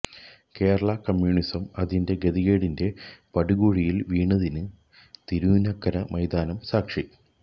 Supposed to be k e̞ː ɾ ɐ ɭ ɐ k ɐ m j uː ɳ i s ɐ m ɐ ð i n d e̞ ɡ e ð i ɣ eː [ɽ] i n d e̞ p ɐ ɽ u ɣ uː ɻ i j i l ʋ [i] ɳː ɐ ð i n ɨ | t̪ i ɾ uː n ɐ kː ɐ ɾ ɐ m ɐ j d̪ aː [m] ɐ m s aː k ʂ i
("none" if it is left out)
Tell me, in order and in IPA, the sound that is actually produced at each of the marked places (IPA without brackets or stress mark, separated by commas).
ɽ, iː, n